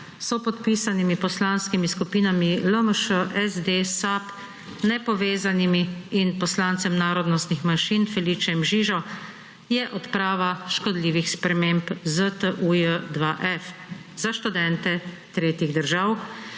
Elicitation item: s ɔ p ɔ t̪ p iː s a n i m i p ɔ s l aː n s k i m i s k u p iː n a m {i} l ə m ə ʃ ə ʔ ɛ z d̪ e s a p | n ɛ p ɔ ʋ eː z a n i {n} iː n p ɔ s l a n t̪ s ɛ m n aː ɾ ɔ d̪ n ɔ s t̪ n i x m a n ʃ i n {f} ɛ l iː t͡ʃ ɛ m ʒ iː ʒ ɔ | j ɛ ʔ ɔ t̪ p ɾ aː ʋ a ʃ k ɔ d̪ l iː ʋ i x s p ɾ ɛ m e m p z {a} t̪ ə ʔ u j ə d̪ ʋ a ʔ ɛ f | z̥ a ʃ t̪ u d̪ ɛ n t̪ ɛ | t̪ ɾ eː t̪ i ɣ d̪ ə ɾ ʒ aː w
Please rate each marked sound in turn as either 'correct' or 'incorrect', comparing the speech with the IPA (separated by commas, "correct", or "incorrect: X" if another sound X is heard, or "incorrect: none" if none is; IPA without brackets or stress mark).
correct, incorrect: m, correct, incorrect: ə